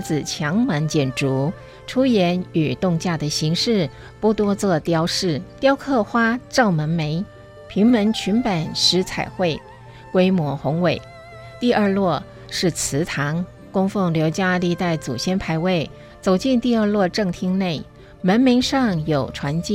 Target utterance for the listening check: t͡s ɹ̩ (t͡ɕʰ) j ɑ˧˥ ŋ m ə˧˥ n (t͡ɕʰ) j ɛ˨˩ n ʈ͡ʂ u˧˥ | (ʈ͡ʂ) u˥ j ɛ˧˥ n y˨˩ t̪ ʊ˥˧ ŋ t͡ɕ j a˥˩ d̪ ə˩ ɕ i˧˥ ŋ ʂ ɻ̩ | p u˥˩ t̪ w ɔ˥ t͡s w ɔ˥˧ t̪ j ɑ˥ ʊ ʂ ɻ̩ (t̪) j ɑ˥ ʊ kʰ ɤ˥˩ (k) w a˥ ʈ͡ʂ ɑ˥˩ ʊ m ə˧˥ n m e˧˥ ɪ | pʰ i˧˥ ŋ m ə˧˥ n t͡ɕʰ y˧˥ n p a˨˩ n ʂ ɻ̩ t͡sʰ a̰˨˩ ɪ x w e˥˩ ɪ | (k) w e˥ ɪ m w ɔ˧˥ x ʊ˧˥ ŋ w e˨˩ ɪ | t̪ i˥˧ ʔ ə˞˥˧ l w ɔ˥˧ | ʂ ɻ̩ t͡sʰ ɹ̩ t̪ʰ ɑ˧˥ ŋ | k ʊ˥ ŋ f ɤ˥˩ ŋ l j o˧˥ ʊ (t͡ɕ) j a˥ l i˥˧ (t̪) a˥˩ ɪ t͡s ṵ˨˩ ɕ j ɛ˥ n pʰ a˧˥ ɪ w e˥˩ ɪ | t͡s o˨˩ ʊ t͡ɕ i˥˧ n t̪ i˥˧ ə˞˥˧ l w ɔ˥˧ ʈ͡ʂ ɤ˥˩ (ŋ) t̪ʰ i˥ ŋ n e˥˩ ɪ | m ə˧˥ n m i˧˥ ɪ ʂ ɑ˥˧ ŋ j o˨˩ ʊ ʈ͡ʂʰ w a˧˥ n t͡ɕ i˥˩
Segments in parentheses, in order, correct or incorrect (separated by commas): correct, incorrect, incorrect, correct, incorrect, correct, correct, correct, correct